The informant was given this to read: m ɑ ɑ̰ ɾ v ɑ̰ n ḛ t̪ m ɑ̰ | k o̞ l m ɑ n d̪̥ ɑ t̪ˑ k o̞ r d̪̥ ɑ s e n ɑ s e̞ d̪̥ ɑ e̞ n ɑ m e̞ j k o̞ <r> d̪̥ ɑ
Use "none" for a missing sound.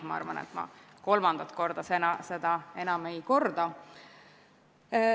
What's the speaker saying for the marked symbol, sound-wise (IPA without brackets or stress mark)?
r